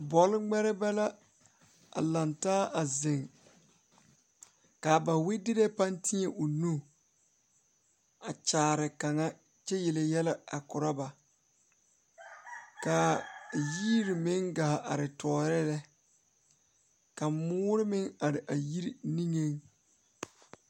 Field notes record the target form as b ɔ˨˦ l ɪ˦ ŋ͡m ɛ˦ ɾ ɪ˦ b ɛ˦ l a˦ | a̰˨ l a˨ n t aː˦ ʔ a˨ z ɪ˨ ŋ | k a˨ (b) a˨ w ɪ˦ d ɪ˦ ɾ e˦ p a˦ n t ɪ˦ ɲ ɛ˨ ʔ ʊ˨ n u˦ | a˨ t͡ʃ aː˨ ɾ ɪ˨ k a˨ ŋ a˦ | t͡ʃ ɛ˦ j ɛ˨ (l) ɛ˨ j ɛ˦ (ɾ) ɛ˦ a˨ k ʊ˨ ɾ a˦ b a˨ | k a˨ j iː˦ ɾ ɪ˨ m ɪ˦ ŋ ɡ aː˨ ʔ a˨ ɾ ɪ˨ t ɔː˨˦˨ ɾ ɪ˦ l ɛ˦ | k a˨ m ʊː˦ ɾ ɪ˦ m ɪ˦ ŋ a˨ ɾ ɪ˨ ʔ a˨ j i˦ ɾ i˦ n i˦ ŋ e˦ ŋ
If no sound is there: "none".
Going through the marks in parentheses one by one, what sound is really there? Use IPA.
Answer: b, l, l

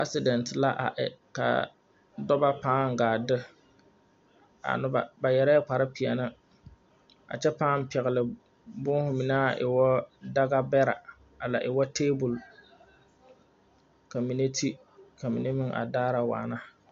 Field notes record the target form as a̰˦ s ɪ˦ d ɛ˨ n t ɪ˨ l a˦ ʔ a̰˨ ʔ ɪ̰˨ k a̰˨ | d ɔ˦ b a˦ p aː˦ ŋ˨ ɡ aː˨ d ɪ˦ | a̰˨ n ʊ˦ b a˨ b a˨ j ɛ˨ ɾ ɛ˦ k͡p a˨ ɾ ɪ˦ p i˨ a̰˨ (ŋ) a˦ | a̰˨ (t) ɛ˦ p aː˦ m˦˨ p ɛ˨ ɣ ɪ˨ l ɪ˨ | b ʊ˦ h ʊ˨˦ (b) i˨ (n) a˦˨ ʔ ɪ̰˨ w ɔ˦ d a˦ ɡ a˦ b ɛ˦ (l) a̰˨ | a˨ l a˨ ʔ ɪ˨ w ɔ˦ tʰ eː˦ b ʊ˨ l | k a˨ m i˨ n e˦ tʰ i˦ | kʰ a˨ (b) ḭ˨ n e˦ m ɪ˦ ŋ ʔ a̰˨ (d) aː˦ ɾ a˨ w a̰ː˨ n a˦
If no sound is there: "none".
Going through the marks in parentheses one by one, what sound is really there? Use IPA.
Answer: n, t͡ʃ, m, n, ɾ, m, d

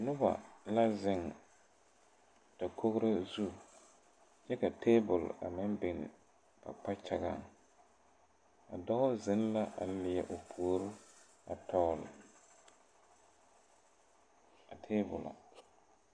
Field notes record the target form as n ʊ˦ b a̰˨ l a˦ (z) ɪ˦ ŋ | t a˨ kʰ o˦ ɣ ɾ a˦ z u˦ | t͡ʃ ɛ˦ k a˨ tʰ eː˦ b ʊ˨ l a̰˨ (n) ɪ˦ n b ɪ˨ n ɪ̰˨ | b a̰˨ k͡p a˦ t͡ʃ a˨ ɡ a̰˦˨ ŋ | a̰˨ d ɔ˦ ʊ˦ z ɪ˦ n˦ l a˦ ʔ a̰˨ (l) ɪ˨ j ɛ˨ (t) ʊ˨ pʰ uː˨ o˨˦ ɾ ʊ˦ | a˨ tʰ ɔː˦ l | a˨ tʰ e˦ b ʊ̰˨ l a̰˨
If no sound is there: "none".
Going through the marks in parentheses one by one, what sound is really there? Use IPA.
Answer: z, m, l, ʔ

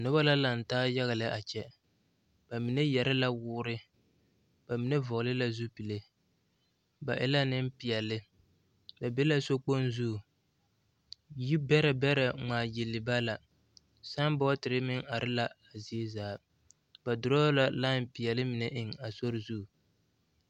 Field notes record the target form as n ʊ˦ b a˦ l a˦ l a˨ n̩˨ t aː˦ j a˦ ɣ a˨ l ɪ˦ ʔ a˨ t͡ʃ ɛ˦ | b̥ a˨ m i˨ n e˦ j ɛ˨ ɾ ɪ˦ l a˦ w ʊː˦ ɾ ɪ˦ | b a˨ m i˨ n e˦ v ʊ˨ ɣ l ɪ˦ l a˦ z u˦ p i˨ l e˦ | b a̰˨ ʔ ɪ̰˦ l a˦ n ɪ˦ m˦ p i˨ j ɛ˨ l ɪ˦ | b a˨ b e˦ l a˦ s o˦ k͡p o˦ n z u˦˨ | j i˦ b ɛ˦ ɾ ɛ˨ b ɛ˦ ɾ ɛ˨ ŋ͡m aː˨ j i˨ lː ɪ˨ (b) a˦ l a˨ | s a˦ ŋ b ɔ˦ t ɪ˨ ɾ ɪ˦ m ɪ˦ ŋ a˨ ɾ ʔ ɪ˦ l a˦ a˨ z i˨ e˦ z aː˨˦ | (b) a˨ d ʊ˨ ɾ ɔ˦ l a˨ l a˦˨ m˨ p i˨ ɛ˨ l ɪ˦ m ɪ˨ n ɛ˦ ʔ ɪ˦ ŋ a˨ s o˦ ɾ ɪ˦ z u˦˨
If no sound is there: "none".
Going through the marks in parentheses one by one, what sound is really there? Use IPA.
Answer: b, b

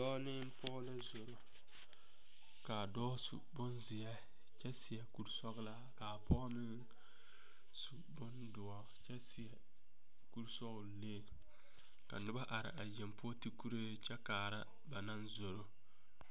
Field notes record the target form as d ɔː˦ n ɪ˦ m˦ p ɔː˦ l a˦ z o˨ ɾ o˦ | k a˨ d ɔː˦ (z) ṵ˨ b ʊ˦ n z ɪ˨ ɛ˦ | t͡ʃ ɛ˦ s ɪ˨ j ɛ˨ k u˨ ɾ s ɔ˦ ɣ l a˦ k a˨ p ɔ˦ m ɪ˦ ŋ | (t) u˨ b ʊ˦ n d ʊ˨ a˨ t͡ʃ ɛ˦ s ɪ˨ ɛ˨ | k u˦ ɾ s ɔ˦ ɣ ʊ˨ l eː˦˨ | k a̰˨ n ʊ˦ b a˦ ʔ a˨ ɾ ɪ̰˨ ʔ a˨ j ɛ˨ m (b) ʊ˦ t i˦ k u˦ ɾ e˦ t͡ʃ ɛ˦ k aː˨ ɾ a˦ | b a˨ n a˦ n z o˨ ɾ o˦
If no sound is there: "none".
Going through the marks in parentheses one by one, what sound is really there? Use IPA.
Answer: s, s, p

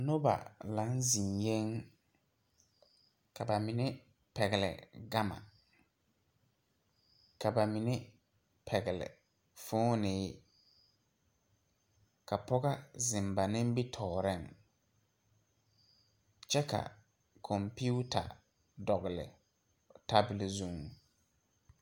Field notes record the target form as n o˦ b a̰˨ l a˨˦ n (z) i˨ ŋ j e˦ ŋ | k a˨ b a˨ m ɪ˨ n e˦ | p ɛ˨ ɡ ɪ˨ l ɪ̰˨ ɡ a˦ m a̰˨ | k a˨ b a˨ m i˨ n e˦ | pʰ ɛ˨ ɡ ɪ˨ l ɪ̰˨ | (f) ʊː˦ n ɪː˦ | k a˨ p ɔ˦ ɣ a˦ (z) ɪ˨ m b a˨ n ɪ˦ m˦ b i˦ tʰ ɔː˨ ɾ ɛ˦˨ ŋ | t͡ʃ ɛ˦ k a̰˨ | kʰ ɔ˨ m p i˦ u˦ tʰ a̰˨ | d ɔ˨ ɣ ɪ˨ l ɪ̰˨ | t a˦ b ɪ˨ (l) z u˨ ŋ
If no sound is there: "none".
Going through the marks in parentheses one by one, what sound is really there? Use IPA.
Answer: z, f, z, l

